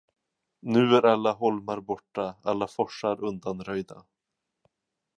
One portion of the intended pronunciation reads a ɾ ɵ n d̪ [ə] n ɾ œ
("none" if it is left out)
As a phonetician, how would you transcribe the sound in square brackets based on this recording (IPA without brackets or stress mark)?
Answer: a